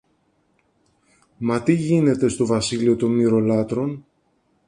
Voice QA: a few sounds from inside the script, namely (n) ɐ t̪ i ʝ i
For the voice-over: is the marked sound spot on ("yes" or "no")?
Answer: no